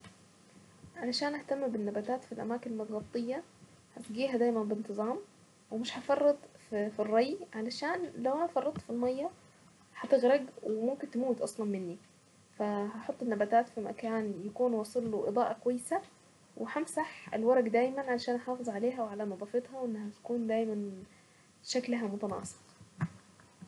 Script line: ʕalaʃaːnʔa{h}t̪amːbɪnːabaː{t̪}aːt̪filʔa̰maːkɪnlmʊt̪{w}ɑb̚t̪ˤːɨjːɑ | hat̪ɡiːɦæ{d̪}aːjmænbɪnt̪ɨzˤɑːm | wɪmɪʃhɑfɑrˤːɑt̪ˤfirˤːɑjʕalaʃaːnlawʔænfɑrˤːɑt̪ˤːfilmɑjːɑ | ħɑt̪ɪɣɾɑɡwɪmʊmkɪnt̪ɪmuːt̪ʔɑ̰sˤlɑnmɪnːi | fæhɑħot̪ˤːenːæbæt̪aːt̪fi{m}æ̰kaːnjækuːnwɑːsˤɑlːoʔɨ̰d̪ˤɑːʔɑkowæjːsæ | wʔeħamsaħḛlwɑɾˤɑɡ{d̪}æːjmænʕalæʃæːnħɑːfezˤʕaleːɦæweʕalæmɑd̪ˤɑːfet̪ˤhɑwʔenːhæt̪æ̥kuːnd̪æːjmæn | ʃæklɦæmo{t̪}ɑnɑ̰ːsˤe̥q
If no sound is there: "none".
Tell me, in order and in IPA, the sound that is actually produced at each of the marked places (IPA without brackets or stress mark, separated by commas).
h, t̪, ɣ, d̪, m, d̪, t̪